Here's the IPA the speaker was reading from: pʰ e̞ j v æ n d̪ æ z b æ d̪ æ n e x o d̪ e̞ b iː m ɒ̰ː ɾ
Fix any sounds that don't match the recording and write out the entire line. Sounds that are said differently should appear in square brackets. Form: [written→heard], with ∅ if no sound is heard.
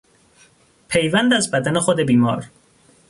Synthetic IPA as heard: pʰ e̞ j v æ n d̪ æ z b æ d̪ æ n e x o d̪ e̞ b iː m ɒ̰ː ɾ